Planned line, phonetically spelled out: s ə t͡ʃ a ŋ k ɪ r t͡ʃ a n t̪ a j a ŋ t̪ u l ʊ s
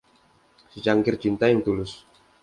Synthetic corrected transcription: s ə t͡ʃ a ŋ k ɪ r t͡ʃ i n t̪ a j a ŋ t̪ u l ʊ s